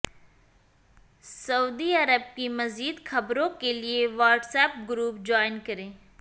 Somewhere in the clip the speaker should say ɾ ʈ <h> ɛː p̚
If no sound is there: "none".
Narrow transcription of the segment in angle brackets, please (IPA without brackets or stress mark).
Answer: s